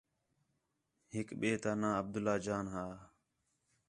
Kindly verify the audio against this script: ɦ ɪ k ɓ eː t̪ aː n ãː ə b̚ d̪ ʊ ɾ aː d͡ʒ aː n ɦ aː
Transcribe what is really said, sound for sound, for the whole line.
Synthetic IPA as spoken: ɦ ɪ k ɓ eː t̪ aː n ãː ə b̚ d̪ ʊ l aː d͡ʒ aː n ɦ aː